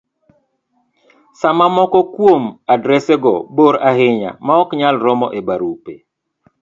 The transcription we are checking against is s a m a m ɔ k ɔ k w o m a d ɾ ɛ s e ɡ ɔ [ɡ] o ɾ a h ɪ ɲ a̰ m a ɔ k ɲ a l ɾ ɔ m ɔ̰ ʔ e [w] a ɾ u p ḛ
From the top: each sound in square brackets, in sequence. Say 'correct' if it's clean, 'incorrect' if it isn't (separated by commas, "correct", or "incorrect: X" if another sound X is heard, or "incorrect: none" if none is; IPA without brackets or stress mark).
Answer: incorrect: b, incorrect: b